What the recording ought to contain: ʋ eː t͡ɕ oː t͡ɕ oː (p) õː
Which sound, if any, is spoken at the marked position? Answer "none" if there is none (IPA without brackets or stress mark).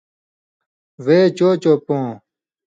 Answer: p